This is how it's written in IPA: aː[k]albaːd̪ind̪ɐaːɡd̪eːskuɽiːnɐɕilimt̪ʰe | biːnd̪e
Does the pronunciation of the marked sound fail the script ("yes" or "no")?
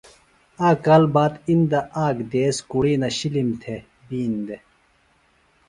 no